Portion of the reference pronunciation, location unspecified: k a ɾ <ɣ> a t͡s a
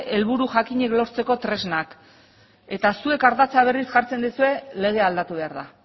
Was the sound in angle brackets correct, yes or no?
no